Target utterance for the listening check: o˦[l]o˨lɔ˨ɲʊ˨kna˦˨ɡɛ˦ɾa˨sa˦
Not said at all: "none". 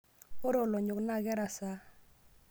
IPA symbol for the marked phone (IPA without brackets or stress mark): ɾ